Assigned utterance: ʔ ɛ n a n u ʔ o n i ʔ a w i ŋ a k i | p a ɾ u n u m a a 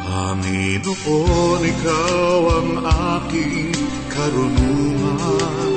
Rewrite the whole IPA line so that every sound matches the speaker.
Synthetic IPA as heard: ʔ a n i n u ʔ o n i k a w a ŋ a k i | k a ɾ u n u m a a